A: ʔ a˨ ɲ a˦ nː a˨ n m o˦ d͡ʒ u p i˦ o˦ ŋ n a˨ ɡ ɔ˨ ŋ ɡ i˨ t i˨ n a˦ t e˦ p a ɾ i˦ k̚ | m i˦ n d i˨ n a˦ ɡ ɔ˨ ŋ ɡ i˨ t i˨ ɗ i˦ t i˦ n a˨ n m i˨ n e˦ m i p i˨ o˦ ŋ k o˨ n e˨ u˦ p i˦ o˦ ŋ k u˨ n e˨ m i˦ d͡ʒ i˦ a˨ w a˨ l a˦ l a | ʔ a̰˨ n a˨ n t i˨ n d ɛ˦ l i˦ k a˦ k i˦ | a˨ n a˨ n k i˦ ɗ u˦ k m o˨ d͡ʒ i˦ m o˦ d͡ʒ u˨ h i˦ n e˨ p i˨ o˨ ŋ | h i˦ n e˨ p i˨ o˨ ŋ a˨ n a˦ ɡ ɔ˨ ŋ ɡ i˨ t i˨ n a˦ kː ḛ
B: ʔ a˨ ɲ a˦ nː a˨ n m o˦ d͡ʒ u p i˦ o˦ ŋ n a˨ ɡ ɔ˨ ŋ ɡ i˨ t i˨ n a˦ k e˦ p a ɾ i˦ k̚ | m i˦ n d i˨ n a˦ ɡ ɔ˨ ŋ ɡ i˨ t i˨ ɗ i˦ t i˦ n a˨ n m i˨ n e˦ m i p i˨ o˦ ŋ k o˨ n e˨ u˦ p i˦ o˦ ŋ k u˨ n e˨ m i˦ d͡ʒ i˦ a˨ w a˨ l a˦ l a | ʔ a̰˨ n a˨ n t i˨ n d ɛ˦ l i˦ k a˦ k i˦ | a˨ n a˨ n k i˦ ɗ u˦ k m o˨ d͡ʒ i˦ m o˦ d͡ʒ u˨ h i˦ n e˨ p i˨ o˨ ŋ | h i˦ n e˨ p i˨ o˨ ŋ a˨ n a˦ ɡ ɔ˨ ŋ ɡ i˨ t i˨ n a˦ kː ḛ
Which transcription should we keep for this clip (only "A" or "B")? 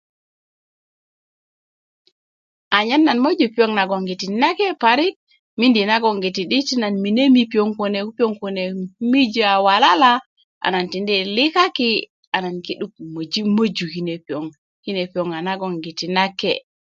B